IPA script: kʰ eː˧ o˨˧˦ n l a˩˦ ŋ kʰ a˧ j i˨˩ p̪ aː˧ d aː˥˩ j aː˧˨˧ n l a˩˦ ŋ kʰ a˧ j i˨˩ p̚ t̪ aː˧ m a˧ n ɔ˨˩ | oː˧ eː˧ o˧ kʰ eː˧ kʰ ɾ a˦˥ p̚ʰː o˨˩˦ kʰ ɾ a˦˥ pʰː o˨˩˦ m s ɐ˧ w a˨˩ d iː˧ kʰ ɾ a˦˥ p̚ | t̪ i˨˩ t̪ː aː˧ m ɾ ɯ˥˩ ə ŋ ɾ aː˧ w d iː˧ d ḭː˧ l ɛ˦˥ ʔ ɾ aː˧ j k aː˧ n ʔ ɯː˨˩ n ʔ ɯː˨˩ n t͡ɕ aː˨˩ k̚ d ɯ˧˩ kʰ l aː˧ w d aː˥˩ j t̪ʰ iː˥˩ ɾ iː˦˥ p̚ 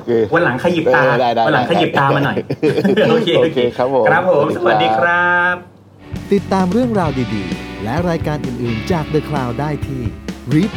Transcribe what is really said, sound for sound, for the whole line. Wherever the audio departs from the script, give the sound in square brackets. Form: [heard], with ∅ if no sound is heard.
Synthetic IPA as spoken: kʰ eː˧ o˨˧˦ n l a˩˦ ŋ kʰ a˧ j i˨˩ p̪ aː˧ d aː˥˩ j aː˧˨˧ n l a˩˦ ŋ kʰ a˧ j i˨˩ p̚ t̪ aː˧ m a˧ n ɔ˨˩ | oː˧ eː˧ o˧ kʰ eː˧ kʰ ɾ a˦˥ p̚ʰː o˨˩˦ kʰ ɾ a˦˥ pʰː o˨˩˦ m s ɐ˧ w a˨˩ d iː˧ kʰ ɾ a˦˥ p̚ | t̪ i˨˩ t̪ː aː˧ m ɾ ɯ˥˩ ə ŋ ɾ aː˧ w d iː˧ d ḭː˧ l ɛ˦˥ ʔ ɾ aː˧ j k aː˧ n ʔ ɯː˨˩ n ʔ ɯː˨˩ n t͡ɕ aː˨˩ k̚ d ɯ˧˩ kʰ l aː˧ w d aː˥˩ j t̪ʰ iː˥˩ ɾ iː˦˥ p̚